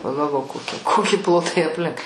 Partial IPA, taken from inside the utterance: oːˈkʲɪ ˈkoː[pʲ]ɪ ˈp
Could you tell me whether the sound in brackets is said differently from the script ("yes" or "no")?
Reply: yes